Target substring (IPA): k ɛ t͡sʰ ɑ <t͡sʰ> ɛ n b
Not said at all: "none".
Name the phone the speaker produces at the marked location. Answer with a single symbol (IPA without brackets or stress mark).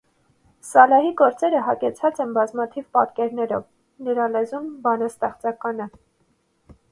t͡s